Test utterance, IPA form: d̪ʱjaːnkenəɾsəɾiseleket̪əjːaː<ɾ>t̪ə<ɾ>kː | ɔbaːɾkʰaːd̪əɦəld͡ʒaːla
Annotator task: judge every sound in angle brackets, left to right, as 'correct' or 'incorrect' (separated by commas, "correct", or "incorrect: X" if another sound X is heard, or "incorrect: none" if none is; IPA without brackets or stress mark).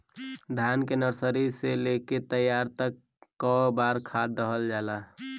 correct, incorrect: none